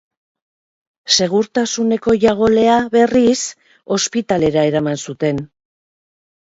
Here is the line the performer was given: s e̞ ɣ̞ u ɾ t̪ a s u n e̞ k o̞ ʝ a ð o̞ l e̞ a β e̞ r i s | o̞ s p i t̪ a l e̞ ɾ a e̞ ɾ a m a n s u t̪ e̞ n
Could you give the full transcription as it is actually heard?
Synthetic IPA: s e̞ ɣ̞ u ɾ t̪ a s u n e̞ k o̞ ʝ a ɣ o̞ l e̞ a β e̞ r i s | o̞ s p i t̪ a l e̞ ɾ a e̞ ɾ a m a n s u t̪ e̞ n